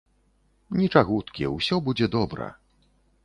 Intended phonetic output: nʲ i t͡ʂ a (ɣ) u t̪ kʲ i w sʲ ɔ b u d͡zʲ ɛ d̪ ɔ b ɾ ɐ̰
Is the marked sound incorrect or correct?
correct